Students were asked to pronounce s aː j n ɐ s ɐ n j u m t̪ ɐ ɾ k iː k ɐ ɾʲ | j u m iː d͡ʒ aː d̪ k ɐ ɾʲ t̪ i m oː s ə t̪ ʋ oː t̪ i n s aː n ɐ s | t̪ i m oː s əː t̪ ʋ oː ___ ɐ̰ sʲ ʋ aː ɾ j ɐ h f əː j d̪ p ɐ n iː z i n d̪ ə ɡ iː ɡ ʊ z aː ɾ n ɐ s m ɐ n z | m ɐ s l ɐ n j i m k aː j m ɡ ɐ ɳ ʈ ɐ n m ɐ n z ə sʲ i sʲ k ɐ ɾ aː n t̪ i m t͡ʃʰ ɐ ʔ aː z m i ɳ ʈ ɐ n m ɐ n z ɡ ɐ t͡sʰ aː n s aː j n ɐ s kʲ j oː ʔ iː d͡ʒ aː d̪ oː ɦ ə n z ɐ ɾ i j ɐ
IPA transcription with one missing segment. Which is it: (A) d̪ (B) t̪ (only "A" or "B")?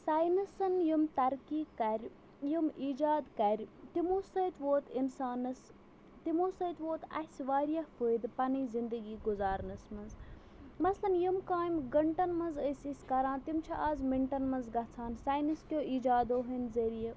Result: B